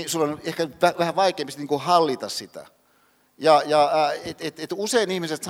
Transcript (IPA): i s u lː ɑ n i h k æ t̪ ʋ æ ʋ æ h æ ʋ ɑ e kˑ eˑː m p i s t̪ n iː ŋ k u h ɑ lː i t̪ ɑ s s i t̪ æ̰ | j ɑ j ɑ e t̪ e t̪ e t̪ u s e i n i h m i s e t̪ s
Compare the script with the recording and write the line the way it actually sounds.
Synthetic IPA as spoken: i s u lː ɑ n e h k æ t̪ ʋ æ ʋ æ h æ ʋ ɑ i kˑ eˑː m p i s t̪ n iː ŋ k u h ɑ lː i t̪ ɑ s s i t̪ æ̰ | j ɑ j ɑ e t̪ e t̪ e t̪ u s e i n i h m i s e t̪ s